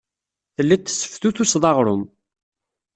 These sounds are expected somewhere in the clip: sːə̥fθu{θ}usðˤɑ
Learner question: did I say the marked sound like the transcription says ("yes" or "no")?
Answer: yes